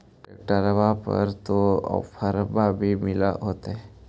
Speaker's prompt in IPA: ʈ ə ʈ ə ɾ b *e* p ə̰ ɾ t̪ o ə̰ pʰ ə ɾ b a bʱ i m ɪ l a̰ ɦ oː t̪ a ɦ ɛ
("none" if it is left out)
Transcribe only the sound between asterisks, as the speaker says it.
a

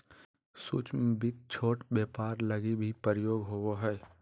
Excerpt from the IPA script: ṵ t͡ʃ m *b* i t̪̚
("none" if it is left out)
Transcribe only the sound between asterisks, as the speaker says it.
b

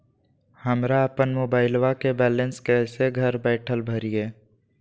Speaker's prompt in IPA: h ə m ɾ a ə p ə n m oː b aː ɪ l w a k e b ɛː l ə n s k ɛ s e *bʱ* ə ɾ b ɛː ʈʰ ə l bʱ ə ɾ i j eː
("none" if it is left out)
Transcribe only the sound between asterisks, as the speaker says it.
ɡʱ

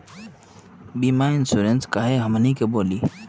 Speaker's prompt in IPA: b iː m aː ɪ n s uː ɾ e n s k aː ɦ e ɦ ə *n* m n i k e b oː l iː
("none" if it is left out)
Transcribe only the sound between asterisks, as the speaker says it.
none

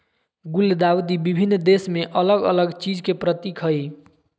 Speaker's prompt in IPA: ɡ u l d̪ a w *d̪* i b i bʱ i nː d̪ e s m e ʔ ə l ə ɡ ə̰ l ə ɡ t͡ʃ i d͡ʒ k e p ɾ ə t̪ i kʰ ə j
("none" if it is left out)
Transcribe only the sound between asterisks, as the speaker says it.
d̪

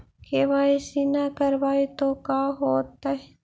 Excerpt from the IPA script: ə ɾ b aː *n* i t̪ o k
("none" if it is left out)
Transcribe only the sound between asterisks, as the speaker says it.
none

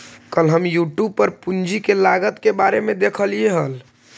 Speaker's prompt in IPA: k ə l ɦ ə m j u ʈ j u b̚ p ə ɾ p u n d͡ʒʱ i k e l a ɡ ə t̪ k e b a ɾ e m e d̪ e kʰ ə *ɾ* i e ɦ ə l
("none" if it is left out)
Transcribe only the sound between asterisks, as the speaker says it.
l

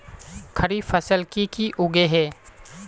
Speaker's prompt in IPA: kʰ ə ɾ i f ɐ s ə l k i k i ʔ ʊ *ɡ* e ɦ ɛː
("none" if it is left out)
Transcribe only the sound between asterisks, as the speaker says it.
ɡ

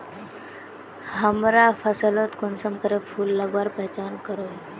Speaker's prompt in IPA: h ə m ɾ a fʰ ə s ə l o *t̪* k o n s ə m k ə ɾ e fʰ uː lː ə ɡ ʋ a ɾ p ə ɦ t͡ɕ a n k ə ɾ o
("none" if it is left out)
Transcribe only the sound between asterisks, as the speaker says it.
t̪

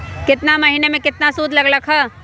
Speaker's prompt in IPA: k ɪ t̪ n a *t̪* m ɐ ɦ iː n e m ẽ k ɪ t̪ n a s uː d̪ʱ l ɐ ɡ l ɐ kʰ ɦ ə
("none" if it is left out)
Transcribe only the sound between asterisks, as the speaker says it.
none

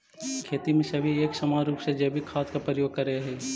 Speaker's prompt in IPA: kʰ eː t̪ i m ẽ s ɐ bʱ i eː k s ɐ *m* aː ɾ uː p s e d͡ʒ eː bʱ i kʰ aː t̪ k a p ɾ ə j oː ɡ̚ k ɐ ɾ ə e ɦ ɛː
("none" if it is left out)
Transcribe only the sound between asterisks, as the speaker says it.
m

